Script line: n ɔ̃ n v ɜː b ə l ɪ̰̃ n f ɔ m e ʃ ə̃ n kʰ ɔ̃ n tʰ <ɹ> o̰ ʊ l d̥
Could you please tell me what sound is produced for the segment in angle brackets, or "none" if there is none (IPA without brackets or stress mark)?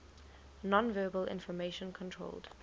ɹ